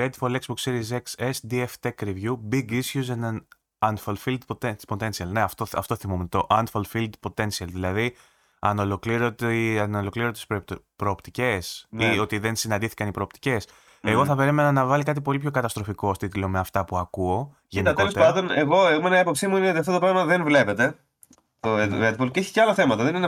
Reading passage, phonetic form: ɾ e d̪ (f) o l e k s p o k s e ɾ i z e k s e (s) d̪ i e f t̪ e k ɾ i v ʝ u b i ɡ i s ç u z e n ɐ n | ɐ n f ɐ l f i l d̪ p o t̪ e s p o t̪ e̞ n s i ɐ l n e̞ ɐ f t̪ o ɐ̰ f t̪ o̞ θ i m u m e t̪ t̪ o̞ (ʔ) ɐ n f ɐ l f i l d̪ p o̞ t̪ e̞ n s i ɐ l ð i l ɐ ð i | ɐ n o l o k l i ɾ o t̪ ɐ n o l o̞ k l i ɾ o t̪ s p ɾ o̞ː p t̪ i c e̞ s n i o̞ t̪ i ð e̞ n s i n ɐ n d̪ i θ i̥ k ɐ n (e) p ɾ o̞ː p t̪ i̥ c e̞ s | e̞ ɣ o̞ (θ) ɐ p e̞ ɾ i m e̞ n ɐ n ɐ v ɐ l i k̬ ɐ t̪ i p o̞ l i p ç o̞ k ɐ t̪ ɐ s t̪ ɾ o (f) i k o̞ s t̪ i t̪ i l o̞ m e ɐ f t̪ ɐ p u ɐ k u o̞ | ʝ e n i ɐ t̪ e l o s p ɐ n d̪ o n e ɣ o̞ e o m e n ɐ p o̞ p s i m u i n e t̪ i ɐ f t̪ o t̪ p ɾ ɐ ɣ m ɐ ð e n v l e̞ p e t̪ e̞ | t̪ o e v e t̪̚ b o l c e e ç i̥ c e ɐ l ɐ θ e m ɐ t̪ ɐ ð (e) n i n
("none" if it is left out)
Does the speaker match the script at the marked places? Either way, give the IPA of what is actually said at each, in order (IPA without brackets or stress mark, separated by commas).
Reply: f, s, ʔ, i, θ, f, e